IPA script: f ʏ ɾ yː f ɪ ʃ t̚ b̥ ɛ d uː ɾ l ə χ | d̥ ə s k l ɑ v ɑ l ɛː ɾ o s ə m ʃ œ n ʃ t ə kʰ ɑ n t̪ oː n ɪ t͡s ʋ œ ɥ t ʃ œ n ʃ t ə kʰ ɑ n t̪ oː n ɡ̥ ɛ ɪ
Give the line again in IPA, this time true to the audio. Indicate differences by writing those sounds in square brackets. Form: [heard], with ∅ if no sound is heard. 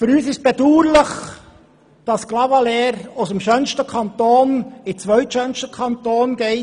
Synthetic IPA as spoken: f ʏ ɾ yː [s] ɪ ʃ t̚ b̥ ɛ d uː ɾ l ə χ | d̥ [ɑ] s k l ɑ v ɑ l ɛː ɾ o s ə m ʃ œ n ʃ t ə kʰ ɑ n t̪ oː n ɪ t͡s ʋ œ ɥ t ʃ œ n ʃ t ə kʰ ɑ n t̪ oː n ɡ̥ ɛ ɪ